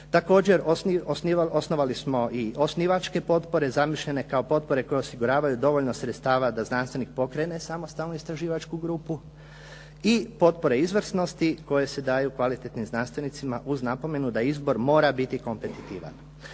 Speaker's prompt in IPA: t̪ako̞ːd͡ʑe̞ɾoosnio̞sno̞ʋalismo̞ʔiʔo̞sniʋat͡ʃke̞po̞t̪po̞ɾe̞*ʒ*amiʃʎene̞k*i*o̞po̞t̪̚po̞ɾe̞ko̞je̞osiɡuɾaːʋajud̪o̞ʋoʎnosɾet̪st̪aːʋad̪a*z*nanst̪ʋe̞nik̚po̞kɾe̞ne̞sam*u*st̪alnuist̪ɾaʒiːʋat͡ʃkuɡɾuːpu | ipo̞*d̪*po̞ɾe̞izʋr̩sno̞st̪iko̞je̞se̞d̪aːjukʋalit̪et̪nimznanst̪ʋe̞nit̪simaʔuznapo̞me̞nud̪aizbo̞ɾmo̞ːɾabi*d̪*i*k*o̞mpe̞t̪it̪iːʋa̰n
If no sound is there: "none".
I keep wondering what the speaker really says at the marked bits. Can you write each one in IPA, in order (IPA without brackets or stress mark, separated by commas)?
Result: z, a, z, o, t̪, t̪, k